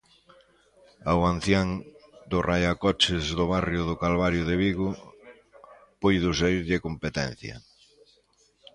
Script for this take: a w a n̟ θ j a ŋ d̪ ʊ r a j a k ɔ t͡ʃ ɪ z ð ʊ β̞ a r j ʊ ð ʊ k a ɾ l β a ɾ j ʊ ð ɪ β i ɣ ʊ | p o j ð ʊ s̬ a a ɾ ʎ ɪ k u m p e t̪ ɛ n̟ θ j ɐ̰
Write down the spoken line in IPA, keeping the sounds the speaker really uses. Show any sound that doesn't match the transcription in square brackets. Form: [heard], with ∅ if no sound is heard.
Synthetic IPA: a w a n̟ θ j a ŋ d̪ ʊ r a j a k ɔ t͡ʃ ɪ z ð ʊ β̞ a r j ʊ ð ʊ k a [∅] l β a ɾ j ʊ ð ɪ β i ɣ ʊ | p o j ð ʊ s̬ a [i] ɾ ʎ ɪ k [o] m p e t̪ ɛ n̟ θ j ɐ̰